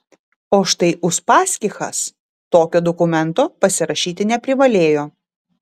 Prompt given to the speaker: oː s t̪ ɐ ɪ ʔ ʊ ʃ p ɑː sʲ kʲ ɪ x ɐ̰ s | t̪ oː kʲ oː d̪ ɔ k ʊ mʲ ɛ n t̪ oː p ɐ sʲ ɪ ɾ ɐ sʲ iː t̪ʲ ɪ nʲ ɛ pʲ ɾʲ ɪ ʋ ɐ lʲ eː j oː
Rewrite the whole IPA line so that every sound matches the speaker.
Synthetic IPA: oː ʃ t̪ ɐ ɪ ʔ ʊ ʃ p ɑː sʲ kʲ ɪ x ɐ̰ s | t̪ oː kʲ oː d̪ ɔ k ʊ mʲ ɛ n t̪ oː p ɐ sʲ ɪ ɾ ɐ ʃʲ iː t̪ʲ ɪ nʲ ɛ pʲ ɾʲ ɪ ʋ ɐ lʲ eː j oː